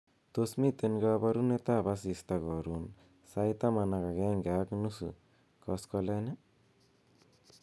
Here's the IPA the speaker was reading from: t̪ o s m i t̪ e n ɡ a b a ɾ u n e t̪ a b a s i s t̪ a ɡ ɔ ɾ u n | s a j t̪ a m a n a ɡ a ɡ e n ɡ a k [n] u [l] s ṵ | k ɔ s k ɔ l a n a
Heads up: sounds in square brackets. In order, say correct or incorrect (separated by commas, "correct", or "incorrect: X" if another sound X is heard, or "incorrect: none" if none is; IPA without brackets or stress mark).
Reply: correct, incorrect: none